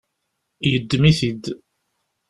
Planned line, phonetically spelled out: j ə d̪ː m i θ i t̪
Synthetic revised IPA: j ə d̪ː m i θ i d̪